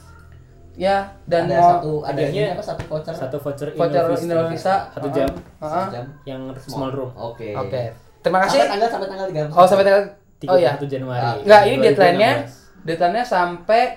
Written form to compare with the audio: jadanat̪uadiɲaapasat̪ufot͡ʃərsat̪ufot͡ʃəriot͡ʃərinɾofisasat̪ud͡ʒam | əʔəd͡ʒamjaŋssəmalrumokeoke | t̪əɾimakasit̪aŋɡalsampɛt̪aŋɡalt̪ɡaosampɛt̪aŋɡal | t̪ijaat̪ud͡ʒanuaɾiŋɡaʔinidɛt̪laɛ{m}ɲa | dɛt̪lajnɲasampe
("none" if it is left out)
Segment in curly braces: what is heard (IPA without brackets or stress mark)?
n